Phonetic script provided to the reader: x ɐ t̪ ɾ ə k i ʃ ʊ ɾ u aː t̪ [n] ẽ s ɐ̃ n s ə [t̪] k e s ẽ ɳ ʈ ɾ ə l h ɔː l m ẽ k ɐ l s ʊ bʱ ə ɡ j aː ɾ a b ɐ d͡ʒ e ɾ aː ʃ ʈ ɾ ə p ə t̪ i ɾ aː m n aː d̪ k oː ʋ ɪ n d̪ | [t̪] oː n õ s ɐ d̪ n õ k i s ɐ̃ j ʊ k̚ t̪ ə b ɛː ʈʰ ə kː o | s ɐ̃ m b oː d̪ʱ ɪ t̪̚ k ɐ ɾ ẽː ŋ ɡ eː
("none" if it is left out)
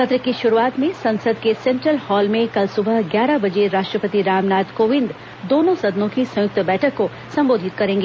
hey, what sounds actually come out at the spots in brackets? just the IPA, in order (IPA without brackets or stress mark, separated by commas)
m, d̪, d̪